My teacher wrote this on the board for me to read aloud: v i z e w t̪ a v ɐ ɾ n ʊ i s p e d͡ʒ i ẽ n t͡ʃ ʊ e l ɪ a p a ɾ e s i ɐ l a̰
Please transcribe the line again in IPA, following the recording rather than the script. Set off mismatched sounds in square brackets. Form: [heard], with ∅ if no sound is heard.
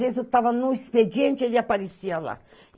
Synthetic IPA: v [e] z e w t̪ a v ɐ [∅] n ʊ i s p e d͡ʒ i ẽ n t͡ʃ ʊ e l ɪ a p a ɾ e s i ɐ l a̰

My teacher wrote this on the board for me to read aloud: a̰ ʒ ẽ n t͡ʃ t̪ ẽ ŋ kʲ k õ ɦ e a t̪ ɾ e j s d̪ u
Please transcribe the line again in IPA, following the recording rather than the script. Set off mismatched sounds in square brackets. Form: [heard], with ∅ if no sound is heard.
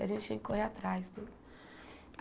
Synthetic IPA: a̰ ʒ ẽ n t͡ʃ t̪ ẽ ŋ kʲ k [o] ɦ e a t̪ ɾ [a] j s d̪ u

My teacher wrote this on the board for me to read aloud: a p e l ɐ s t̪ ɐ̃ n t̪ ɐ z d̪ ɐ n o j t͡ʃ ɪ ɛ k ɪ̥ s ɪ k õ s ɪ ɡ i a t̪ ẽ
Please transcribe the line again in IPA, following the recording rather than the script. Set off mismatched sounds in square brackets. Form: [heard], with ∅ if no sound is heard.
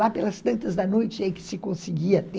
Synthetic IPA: a p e l ɐ s t̪ ɐ̃ n t̪ ɐ z d̪ ɐ n o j t͡ʃ ɪ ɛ k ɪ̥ s ɪ k õ s ɪ ɡ i [ɐ] t̪ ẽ

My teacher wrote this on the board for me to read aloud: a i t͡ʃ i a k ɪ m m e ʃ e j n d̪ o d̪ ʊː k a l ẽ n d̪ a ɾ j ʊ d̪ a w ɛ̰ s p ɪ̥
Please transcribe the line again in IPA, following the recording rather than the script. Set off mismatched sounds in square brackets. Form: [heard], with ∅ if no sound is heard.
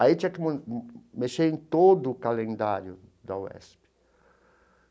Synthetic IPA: a i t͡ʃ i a k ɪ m m e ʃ e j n [t̪] o d̪ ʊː k a l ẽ n d̪ a ɾ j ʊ d̪ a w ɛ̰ s p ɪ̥

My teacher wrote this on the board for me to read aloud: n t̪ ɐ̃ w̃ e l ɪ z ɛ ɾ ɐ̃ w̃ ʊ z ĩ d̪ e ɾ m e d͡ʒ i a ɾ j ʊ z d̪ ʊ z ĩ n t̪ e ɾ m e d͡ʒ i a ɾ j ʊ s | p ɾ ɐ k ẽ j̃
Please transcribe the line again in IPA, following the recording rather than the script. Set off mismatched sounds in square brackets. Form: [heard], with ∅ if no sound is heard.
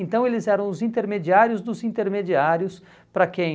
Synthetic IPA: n t̪ ɐ̃ w̃ e l ɪ z ɛ ɾ ɐ̃ w̃ ʊ z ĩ [t̪] e ɾ m e d͡ʒ i a ɾ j ʊ z d̪ ʊ z ĩ n t̪ e ɾ m e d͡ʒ i a ɾ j ʊ s | p ɾ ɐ k ẽ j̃

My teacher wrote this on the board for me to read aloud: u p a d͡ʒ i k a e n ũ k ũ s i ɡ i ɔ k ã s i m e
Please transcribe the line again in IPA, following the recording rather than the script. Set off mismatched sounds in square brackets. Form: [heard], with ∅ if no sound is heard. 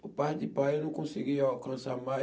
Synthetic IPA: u p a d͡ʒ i [p] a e n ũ k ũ s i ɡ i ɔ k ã s [a] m [a]

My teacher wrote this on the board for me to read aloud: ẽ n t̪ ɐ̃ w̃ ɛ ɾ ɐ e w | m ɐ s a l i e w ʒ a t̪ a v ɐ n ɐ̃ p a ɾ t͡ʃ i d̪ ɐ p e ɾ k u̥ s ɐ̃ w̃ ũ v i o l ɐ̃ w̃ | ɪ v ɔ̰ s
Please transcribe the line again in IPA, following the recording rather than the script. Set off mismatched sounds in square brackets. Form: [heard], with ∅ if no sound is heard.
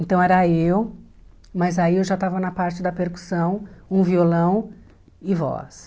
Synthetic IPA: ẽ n t̪ ɐ̃ w̃ ɛ ɾ ɐ e w | m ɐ [z] a [∅] i e w ʒ a t̪ a v ɐ n [ɐ] p a ɾ t͡ʃ [ɪ] d̪ ɐ p e ɾ k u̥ s ɐ̃ w̃ ũ v i o l ɐ̃ w̃ | ɪ v ɔ̰ s

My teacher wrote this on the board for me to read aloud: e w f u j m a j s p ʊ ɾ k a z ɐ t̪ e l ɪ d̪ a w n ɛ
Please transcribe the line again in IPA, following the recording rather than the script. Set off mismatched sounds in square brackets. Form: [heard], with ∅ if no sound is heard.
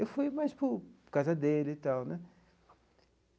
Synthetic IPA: e w f u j m a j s p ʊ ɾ k a z ɐ [d̪] e l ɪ [t̪] a w n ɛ

